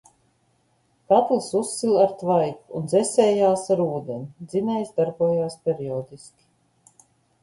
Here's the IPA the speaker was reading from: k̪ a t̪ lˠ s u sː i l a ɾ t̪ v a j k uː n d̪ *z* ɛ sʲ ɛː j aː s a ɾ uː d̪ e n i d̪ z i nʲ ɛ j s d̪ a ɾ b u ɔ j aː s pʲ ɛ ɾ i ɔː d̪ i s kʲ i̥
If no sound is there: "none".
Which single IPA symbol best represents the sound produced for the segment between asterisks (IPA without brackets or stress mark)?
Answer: z